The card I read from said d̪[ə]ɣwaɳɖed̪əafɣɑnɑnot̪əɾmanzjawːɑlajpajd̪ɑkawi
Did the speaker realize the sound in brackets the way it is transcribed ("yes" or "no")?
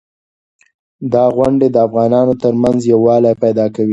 no